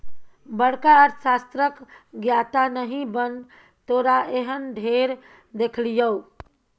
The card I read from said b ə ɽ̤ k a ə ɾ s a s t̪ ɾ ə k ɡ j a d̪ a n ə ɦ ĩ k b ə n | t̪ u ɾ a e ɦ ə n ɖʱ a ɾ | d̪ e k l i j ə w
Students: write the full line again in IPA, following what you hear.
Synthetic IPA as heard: b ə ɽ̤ k a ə ɾ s a s t̪ ɾ ə k ɡ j a t̪ a n ə ɦ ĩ b ə n | t̪ o ɾ a e ɦ ə n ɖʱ e ɾ | d̪ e kʰ l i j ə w

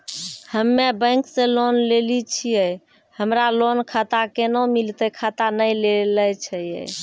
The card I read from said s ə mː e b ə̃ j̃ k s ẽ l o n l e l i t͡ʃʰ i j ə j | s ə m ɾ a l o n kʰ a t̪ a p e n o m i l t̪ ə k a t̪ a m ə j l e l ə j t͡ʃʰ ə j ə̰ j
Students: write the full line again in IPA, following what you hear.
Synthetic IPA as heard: h ə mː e b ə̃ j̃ k s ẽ l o n l e l i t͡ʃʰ i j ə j | h ə m ɾ a l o n kʰ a t̪ a k e n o m i l t̪ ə kʰ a t̪ a n ə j l e l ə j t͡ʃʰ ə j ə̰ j

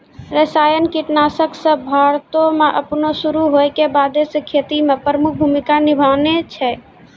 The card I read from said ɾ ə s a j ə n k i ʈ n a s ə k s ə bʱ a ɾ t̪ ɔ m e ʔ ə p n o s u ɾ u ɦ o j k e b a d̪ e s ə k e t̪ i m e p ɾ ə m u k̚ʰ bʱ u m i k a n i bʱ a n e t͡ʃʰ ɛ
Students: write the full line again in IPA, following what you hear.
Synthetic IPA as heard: ɾ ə s a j ə n k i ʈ n a s ə k s ə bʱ a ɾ t̪ o m e ʔ ə p n o s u ɾ u ɦ o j k e b a d̪ e s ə kʰ e t̪ i m e p ɾ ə m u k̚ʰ bʱ u m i k a n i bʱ a n e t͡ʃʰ ɛ

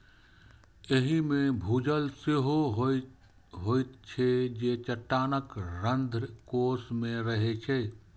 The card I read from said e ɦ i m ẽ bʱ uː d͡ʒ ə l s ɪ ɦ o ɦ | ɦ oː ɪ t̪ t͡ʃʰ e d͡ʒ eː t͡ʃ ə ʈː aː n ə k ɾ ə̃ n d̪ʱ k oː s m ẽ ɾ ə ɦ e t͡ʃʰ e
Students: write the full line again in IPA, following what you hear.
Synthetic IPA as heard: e ɦ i m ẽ bʱ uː d͡ʒ ə l s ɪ ɦ o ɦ | ɦ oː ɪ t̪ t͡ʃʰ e d͡ʒ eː t͡ʃ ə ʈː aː n ə k ɾ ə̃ n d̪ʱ k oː s m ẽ ɾ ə ɦ e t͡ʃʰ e

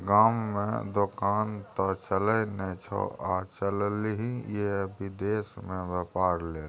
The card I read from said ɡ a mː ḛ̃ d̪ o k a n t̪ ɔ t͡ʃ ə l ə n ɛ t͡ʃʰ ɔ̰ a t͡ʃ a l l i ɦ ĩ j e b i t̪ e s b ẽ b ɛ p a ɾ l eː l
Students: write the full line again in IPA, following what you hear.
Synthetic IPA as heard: ɡ a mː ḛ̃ d̪ o k a n t̪ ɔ t͡ʃ ə l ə n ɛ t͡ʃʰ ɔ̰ a t͡ʃ ə l l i ɦ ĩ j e b i d̪ e s m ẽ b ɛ p a ɾ l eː l

